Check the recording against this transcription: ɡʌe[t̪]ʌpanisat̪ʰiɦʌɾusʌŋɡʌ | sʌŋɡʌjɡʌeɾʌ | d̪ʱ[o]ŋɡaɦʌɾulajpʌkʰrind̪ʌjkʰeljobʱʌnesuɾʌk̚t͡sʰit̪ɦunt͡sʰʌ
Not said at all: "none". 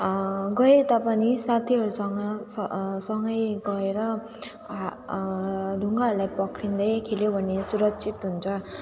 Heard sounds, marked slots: t̪, u

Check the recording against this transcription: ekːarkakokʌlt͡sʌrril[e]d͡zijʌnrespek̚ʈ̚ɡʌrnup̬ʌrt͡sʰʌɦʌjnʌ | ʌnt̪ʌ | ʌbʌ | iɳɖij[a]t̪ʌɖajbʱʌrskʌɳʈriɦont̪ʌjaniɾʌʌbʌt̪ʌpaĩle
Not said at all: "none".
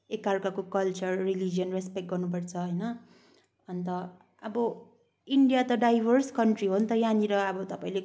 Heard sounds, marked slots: i, a

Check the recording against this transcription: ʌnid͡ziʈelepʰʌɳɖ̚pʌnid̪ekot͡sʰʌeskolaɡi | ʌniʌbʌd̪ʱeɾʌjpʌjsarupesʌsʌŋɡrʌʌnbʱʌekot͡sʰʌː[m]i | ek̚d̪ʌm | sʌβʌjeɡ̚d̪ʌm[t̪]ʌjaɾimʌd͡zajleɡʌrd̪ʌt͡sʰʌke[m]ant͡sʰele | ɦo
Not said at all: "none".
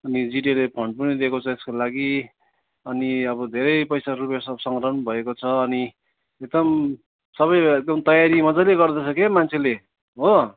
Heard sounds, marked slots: n, t̪, m

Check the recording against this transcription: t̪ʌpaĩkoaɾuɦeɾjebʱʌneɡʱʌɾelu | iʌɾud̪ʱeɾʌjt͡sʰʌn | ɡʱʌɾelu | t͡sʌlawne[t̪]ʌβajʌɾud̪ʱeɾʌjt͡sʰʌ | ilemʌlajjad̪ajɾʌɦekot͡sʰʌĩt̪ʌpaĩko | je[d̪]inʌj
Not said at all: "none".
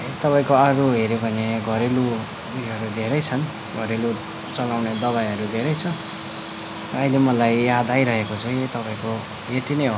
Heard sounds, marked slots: d̪, t̪

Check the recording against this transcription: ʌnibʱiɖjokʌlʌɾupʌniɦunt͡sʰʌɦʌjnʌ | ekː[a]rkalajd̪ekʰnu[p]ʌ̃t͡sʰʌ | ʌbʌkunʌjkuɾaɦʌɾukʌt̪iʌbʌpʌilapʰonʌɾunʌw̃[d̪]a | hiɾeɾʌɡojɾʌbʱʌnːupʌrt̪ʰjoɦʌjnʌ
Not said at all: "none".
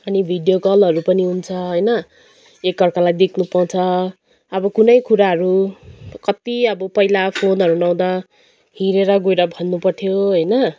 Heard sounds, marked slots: ʌ, p, d̪

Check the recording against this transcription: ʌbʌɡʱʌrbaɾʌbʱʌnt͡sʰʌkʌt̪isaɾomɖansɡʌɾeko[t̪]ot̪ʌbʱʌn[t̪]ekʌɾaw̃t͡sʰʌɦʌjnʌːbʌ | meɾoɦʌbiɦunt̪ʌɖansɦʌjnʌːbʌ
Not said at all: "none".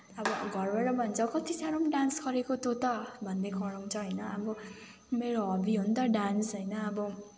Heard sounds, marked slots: t̪, d̪

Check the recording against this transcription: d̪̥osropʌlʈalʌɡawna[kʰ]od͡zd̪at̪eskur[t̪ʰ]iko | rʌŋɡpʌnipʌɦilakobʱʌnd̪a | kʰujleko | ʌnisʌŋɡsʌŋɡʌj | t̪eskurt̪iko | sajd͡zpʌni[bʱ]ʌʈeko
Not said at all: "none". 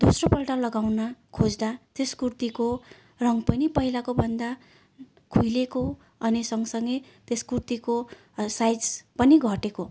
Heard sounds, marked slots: kʰ, t̪, ɡʱ

